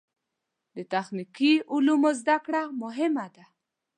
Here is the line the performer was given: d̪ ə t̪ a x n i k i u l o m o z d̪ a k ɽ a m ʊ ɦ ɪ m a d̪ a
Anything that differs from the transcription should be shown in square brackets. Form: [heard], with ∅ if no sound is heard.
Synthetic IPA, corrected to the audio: d̪ ə t̪ a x n i k i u l [u] m o z d̪ a k ɽ a m ʊ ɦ ɪ m a d̪ a